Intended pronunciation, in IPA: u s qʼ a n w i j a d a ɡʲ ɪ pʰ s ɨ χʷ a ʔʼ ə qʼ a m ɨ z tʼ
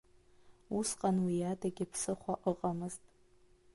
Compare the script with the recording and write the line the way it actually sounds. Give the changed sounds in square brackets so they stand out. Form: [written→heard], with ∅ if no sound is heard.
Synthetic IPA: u s qʼ a n w i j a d a ɡʲ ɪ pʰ s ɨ χʷ a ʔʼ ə qʼ a m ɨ z tʼ